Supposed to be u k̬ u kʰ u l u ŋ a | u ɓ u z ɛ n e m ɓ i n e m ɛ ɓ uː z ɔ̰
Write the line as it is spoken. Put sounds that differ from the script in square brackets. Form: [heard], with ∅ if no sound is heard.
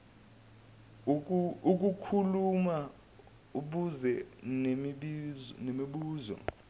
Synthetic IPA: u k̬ u kʰ u l u [m] a | u ɓ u z ɛ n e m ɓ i n e m [i] ɓ uː z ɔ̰